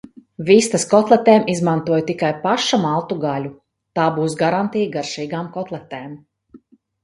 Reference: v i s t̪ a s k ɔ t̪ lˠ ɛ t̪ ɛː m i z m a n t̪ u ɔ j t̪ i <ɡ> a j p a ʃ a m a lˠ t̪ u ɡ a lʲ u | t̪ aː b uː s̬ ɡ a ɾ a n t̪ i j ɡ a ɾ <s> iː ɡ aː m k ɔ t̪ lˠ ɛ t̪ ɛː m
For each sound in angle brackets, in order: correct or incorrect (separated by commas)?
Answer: incorrect, incorrect